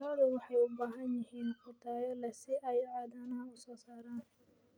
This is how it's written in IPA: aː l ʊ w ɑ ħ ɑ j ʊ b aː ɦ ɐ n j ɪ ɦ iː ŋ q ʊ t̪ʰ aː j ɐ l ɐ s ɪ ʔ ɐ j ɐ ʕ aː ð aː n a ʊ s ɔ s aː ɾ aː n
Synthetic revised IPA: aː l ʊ w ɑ ħ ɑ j ʊ b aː ɦ ɐ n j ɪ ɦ iː n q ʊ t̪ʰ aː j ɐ l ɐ s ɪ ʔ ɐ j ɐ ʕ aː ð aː n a ʊ s ɔː s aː ɾ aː n